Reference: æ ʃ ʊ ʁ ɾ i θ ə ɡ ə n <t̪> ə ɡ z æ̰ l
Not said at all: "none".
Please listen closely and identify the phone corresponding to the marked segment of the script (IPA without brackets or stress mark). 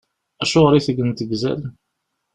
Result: t̪